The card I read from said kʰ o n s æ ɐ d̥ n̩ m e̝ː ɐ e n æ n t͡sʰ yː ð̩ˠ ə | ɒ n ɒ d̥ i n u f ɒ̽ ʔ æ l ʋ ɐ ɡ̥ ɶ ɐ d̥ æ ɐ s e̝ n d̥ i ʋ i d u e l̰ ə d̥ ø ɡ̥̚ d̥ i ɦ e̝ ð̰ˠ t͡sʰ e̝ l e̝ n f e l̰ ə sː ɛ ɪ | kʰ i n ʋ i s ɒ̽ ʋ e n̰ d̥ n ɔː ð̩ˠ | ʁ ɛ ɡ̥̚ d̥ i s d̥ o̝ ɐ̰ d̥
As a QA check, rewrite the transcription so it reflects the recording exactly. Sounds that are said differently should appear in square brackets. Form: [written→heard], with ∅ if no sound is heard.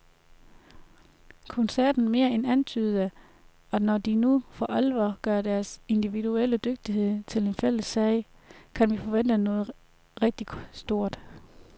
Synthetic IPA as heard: kʰ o n s æ ɐ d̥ n̩ m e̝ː ɐ e n æ n t͡sʰ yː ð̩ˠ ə | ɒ n ɒ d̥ i n u f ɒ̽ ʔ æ l ʋ ɐ ɡ̥ ɶ ɐ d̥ æ ɐ s e̝ n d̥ i ʋ i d u e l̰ ə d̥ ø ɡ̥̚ d̥ i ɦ e̝ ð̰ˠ t͡sʰ e̝ l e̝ n f e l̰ ə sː ɛ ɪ | kʰ [i→æ] n ʋ i [s→f] ɒ̽ ʋ e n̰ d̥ n ɔː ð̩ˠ | ʁ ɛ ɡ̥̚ d̥ i s d̥ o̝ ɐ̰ d̥